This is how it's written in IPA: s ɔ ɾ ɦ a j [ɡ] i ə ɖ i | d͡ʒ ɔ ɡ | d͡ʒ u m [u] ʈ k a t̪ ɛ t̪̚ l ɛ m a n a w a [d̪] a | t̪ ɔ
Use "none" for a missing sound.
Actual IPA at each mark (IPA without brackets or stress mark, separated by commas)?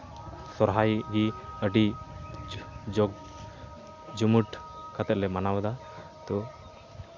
ɡ, u, d̪